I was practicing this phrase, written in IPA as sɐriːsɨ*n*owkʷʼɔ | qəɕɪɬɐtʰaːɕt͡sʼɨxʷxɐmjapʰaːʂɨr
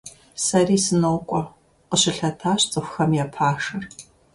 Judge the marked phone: correct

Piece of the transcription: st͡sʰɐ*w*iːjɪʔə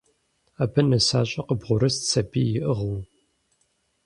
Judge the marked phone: incorrect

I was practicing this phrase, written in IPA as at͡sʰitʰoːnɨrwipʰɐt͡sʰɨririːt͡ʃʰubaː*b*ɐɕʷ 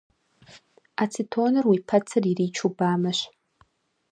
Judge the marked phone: incorrect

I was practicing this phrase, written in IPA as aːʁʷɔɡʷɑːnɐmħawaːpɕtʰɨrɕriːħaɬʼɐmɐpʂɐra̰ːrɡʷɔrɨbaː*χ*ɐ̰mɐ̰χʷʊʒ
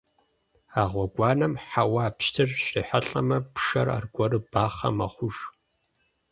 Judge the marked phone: correct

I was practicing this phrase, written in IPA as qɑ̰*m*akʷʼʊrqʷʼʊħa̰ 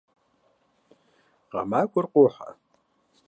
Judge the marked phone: correct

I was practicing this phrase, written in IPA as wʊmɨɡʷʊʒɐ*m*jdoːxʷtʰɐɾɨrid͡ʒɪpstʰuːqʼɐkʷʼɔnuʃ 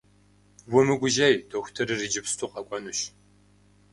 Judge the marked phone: incorrect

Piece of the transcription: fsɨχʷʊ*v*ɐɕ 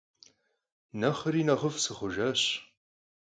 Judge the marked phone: incorrect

